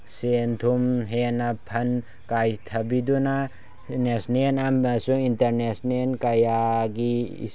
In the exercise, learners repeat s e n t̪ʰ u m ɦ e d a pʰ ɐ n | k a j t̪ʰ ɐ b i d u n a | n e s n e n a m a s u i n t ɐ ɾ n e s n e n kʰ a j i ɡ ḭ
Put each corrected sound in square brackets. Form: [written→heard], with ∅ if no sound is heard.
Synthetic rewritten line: s e n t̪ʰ u m ɦ e [d→n] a pʰ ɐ n | k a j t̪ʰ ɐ b i d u n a | n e s n e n a m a s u i n t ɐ ɾ n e s n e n [kʰ→k] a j [i→a] ɡ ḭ